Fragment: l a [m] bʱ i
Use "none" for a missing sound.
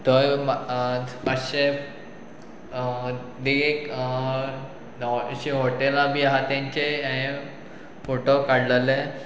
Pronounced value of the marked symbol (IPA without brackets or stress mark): none